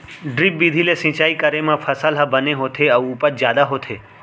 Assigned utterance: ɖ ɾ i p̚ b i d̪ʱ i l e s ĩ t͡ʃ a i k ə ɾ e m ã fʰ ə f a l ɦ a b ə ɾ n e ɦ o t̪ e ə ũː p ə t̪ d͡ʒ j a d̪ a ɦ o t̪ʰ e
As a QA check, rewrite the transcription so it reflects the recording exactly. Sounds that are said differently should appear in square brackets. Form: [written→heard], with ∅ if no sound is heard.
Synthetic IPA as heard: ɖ ɾ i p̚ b i d̪ʱ i l e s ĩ t͡ʃ a i k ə ɾ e m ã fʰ ə [f→s] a l ɦ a b ə [ɾ→∅] n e ɦ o [t̪→t̪ʰ] e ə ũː p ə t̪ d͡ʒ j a d̪ a ɦ o t̪ʰ e